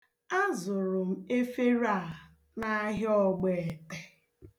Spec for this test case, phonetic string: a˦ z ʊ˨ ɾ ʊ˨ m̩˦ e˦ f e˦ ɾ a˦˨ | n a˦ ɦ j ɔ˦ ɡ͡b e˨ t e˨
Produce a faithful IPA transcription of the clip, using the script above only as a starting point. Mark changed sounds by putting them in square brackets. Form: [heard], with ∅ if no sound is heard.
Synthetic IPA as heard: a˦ z ʊ˨ ɾ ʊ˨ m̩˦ e˦ f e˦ ɾ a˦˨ | n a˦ ɦ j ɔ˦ ɡ͡b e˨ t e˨